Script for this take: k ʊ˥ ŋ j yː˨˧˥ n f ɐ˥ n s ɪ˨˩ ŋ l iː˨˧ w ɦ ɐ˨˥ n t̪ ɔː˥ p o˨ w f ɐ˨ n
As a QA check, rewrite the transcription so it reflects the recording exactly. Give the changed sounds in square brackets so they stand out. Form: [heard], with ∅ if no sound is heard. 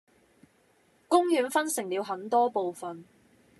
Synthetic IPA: k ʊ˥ ŋ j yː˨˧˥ n f ɐ˥ n s ɪ˨˩ ŋ l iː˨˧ w ɦ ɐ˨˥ n t̪ ɔː˥ p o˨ w f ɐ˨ n

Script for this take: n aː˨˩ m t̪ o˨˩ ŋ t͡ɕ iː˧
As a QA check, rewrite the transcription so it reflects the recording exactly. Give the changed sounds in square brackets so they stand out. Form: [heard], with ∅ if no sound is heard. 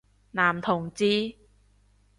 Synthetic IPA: n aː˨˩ m [t̪ʰ] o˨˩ ŋ t͡ɕ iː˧

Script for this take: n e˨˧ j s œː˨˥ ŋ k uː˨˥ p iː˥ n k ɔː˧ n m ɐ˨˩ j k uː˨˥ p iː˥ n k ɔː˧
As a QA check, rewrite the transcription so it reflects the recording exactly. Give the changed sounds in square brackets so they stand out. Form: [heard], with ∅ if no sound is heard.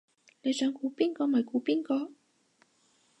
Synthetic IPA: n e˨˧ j s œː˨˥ ŋ k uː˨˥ p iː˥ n k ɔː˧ [∅] m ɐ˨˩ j k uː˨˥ p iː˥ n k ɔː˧

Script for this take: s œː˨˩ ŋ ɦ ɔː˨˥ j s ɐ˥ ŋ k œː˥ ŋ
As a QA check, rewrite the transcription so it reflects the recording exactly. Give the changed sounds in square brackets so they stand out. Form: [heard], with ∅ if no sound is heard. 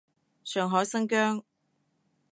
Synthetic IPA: s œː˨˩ ŋ ɦ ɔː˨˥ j s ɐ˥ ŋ k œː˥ ŋ

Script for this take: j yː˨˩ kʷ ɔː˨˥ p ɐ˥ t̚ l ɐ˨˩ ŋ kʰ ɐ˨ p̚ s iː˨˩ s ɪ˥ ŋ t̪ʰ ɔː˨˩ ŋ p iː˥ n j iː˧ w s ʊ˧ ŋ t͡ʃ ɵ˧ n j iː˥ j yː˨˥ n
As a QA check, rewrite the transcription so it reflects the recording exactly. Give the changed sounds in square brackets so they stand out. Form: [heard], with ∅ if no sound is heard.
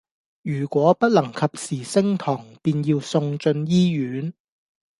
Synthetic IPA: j yː˨˩ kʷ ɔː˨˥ p ɐ˥ t̚ l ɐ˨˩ ŋ kʰ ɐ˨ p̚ s iː˨˩ s ɪ˥ ŋ t̪ʰ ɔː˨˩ ŋ p [iː˧] n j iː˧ w s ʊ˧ ŋ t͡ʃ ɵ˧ n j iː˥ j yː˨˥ n

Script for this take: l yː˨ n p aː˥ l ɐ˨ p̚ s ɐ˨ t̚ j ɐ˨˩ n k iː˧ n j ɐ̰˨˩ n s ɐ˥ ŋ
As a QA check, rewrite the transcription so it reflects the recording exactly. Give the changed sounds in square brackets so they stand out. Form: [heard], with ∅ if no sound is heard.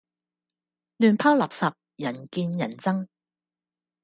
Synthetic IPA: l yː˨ n [pʰ] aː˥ l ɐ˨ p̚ s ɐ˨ [p̚] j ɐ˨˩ n k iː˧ n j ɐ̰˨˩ n [t͡s] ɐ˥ ŋ

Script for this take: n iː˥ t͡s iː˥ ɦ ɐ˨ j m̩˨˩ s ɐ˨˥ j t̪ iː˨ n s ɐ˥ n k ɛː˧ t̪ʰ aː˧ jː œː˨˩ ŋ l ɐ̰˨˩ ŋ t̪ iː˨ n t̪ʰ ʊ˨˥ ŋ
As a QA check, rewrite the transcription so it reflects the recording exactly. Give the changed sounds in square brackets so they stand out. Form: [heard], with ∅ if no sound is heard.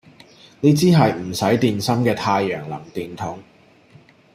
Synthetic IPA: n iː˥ t͡s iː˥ ɦ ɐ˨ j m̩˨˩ s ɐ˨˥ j t̪ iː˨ n s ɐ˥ [m] k ɛː˧ t̪ʰ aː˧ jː œː˨˩ ŋ l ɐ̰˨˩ ŋ t̪ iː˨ n t̪ʰ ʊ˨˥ ŋ

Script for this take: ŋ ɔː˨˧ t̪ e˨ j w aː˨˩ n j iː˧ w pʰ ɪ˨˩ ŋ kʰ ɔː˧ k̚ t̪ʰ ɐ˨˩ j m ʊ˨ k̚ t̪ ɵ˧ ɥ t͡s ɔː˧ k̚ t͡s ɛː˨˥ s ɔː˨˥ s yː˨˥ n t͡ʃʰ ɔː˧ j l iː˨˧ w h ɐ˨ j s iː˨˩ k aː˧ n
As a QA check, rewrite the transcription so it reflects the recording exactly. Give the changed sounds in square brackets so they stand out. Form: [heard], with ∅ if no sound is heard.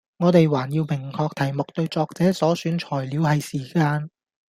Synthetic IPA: ŋ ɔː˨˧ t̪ e˨ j w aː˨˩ n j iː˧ w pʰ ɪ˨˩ ŋ kʰ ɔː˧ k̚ t̪ʰ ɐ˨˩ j m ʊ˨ k̚ t̪ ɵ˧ ɥ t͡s ɔː˧ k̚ t͡s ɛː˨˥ s ɔː˨˥ s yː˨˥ n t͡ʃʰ [ɔː˨˩] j l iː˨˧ w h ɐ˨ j s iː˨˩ k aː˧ n

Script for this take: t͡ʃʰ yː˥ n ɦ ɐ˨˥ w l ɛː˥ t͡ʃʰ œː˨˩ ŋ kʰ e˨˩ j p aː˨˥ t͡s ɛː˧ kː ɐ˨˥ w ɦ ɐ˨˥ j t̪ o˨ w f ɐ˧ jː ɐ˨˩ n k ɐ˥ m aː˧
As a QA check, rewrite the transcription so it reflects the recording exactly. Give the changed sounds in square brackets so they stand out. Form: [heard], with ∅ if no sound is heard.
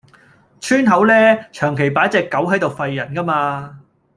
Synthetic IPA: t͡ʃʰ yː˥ n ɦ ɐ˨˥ w l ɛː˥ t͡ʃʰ œː˨˩ ŋ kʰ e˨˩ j p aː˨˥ t͡s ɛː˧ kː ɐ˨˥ w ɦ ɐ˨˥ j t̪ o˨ w f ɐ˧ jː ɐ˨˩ n k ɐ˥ m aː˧

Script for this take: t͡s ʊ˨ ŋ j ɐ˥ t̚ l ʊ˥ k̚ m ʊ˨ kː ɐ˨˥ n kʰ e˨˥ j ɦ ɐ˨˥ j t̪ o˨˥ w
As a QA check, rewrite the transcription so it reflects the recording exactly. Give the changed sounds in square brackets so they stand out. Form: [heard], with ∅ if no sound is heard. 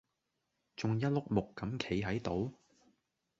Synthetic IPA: t͡s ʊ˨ ŋ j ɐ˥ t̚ l ʊ˥ k̚ m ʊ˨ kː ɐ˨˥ [m] kʰ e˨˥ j ɦ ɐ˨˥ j t̪ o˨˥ w

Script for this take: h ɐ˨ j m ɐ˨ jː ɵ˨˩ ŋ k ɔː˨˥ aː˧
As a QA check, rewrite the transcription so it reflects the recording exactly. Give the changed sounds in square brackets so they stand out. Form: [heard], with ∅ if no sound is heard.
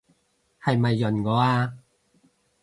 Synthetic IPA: h ɐ˨ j m ɐ˨ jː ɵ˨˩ [n] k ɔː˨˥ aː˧

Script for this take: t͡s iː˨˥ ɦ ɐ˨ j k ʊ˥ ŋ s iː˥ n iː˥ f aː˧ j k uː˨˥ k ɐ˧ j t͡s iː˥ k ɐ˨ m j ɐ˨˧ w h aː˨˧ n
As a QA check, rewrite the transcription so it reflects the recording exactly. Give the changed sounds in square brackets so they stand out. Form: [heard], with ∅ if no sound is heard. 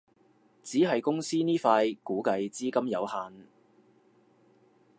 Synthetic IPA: t͡s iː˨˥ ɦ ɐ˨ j k ʊ˥ ŋ s iː˥ n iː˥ f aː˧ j k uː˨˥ k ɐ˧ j t͡s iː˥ k [ɐ˥] m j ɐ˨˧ w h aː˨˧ n

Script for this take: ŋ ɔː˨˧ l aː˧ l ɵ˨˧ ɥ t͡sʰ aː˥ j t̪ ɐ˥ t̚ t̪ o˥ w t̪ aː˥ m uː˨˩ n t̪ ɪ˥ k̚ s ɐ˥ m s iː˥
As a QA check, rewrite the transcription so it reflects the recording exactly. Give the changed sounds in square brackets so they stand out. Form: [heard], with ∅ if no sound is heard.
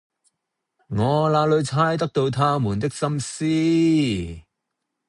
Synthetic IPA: ŋ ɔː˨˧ l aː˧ l ɵ˨˧ ɥ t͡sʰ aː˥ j t̪ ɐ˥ [k̚] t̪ [o˧] w [t̪ʰ] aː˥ m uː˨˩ n t̪ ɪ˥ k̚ s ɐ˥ m s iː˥

